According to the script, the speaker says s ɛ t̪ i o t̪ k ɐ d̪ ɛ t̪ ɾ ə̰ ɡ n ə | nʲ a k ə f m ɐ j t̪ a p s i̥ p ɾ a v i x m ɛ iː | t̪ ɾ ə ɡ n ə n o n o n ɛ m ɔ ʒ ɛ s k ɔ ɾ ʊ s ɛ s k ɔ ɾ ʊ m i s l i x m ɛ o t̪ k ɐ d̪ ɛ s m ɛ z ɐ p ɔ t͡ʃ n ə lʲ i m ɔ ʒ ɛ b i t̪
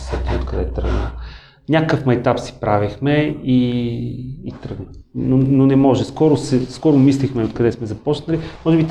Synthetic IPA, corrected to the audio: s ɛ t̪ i o t̪ k ɐ d̪ ɛ t̪ ɾ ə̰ ɡ n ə | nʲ a k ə f m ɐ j t̪ a p s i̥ p ɾ a v i x m ɛ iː | t̪ ɾ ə ɡ n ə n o n o n ɛ m ɔ ʒ ɛ s k ɔ ɾ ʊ s ɛ s k ɔ ɾ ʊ m i s l i x m ɛ o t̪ k ɐ d̪ ɛ s m ɛ z ɐ p ɔ t͡ʃ n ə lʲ i m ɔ ʒ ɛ b i t̪